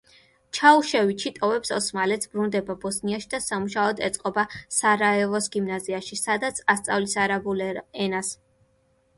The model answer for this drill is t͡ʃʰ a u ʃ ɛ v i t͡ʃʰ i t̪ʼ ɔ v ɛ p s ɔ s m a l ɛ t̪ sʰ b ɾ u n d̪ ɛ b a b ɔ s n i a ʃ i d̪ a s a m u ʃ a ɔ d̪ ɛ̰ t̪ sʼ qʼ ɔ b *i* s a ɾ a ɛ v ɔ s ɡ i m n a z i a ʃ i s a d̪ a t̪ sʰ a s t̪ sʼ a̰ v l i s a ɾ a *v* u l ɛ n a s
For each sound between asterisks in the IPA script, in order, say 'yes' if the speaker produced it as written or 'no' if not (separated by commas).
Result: no, no